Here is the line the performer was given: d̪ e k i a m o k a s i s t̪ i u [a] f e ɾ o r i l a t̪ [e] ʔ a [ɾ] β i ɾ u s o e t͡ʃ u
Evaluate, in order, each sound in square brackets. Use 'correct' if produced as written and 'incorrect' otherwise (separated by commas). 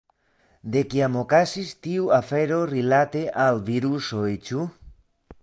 correct, correct, incorrect